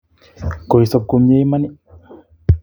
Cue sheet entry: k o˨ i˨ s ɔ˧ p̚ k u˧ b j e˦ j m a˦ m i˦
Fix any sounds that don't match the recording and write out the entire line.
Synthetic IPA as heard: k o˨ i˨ s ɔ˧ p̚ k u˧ m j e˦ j m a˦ n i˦

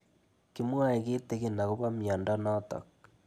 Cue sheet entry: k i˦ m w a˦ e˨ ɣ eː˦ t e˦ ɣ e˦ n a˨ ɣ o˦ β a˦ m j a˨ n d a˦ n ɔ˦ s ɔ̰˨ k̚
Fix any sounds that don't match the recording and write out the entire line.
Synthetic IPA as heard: k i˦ m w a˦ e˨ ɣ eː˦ t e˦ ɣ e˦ n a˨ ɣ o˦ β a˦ m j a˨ n d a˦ n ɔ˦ t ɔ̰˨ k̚

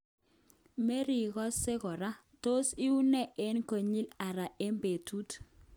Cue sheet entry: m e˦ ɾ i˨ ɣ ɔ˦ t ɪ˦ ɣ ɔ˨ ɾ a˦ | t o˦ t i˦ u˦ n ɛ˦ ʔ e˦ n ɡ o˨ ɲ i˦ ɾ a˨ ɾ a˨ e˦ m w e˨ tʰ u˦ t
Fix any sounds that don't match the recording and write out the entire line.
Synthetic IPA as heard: m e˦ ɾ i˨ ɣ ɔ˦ s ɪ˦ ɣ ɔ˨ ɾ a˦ | t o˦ s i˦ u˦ n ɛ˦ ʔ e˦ n k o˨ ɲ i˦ l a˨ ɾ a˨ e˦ m b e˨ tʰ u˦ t

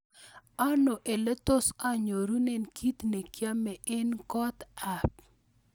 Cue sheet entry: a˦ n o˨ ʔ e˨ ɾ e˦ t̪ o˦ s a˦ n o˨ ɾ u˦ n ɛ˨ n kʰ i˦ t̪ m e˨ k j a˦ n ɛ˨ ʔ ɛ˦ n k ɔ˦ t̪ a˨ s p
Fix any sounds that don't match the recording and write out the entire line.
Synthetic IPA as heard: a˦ n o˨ ʔ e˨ l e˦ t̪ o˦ s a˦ ɲ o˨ ɾ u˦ n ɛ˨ n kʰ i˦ t̪ n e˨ k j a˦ m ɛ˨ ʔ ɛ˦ n k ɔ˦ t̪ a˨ p

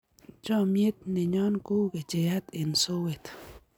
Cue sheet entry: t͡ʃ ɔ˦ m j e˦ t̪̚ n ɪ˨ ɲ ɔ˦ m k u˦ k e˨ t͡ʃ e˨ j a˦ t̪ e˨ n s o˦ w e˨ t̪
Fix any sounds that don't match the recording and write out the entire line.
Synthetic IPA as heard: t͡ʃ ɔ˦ m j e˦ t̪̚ n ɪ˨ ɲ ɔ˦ n k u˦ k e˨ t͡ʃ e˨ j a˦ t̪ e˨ n s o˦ w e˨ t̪

